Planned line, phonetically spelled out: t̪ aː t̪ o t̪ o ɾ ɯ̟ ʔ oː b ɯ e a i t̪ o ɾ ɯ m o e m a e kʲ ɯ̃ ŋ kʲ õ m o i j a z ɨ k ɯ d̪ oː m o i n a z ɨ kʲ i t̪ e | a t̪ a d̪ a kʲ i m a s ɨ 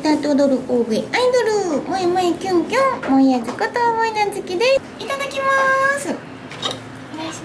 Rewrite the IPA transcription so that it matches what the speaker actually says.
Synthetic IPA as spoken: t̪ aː t̪ o d̪ o ɾ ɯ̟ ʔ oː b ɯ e a i d̪ o ɾ ɯ m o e m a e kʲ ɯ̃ ŋ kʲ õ m o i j a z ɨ k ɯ t̪ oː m o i n a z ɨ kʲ i d̪ e | i t̪ a d̪ a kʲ i m a s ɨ